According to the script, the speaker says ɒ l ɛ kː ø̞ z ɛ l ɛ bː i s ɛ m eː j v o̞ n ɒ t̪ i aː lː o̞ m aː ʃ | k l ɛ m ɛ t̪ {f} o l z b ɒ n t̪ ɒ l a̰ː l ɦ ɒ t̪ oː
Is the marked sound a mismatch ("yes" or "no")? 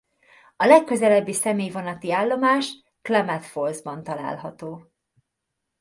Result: no